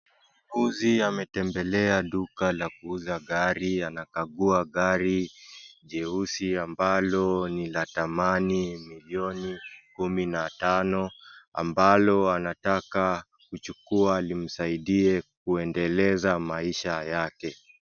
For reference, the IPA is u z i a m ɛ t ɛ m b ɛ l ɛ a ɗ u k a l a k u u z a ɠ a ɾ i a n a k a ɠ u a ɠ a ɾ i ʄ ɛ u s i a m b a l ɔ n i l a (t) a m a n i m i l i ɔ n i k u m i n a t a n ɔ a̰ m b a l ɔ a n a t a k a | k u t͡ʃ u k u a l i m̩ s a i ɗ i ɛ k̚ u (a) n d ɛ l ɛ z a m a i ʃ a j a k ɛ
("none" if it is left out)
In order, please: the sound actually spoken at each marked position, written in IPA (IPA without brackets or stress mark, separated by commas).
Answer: t, ɛ